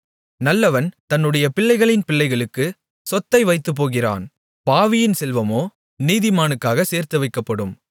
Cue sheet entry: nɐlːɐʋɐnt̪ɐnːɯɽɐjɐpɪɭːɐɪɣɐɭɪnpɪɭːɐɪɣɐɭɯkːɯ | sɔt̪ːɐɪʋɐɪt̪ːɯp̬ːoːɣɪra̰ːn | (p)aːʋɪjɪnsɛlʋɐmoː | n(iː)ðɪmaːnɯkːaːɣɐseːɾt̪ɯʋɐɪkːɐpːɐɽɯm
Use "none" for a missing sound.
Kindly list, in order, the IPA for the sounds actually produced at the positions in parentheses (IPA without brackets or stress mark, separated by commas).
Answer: p, iː